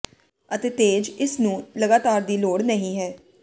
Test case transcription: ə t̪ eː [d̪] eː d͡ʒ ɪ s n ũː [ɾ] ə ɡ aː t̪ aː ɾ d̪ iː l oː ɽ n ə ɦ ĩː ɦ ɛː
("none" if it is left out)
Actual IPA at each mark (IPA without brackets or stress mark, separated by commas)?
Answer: t̪, l